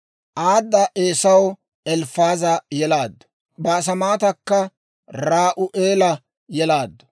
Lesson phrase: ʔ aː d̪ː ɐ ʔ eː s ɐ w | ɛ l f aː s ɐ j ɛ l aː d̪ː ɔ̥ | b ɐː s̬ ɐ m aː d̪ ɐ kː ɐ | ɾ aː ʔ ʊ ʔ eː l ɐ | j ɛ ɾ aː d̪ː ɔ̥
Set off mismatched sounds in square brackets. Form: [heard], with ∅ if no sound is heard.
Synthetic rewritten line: ʔ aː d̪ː ɐ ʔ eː s ɐ w | ɛ l f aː [z] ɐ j ɛ l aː d̪ː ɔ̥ | b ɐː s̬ ɐ m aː [t̪] ɐ kː ɐ | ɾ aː ʔ ʊ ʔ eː l ɐ | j ɛ [l] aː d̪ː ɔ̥